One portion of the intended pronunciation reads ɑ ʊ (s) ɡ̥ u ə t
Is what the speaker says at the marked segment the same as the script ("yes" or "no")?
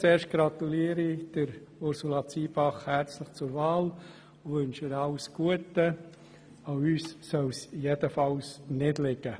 yes